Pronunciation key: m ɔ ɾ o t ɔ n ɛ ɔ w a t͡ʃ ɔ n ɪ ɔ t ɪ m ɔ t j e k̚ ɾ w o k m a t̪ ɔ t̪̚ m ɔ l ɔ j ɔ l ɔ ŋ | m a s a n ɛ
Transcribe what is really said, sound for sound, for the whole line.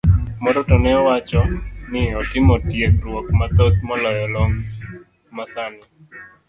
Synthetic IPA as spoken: m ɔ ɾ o t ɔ n ɛ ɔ w a t͡ʃ ɔ n ɪ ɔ t ɪ m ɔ t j e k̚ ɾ w o k m a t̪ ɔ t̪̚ m ɔ l ɔ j ɔ l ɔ ŋ | m a s a n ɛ